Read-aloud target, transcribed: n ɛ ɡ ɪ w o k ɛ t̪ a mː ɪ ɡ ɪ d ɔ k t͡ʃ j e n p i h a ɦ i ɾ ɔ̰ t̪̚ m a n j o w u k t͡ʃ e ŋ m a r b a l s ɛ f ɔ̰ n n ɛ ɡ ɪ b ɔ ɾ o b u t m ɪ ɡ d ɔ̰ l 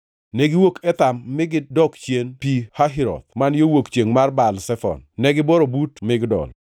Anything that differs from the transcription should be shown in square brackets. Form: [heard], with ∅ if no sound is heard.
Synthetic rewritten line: n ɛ ɡ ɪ w o k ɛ t̪ a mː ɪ ɡ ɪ d ɔ k t͡ʃ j e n p i h a ɦ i ɾ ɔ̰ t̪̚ m a n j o w [o] k t͡ʃ e ŋ m a r b a l s ɛ f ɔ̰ n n ɛ ɡ ɪ b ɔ ɾ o b u t m ɪ ɡ d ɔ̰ l